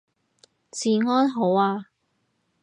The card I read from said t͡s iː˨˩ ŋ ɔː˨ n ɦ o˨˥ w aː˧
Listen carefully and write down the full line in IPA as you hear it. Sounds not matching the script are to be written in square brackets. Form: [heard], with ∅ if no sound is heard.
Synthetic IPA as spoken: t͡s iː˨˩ ŋ [ɔː˥] n ɦ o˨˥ w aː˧